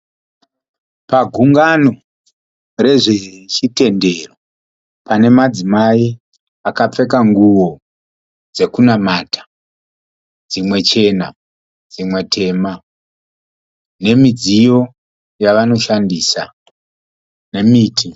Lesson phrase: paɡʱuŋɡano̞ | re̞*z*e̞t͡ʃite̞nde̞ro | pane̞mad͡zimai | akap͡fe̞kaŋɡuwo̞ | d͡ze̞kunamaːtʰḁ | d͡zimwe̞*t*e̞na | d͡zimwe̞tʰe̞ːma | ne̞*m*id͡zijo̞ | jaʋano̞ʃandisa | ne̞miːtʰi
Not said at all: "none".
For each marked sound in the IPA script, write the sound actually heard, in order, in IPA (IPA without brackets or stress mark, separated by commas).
ʐ, t͡ʃ, m